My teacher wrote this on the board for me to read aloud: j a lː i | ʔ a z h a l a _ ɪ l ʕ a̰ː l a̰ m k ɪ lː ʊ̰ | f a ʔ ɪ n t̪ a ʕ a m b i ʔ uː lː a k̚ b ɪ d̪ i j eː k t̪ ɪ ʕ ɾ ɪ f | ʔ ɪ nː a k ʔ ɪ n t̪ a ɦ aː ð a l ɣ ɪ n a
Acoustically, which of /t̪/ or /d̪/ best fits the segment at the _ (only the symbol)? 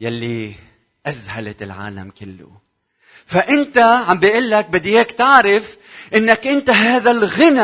t̪